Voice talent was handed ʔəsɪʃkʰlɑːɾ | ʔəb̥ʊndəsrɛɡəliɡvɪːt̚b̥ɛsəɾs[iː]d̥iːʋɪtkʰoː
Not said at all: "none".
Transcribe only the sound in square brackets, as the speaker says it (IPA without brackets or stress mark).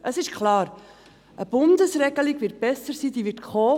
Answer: iː